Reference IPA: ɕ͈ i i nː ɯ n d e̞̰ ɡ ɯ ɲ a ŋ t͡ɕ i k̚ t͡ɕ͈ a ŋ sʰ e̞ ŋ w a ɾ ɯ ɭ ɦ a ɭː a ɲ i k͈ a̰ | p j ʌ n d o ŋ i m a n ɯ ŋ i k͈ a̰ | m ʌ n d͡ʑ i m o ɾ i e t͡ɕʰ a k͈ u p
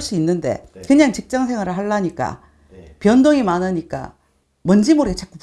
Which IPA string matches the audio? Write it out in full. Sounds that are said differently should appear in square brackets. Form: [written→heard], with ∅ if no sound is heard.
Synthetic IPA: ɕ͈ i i nː ɯ n d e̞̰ [ɡ→k] ɯ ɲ a ŋ t͡ɕ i k̚ t͡ɕ͈ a ŋ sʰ e̞ ŋ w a ɾ ɯ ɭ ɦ a ɭː a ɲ i k͈ a̰ | p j ʌ n d o ŋ i m a n ɯ [ŋ→ɲ] i k͈ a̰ | m ʌ n d͡ʑ i m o ɾ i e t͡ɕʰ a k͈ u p